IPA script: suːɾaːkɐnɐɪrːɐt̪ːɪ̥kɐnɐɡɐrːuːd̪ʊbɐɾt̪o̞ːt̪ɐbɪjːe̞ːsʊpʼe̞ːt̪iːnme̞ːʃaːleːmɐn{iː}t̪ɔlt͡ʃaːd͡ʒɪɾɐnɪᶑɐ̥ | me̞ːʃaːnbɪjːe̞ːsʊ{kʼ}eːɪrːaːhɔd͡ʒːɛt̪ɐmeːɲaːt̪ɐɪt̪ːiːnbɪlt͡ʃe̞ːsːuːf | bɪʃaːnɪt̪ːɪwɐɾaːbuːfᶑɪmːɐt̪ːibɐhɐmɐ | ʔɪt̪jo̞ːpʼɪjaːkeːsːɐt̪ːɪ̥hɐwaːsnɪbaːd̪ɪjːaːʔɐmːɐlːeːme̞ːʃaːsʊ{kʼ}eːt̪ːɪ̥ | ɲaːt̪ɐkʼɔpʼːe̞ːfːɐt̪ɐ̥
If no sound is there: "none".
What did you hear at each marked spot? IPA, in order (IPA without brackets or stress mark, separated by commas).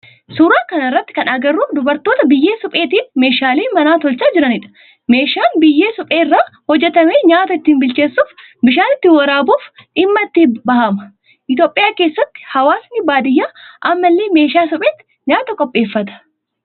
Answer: aː, pʼ, pʼ